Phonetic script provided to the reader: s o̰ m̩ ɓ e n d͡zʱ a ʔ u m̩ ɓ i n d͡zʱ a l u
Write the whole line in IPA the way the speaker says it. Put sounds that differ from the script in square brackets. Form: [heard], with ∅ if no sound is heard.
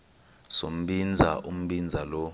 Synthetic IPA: s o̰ m̩ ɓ [i] n d͡zʱ a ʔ u m̩ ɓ i n d͡zʱ a l [ɔ]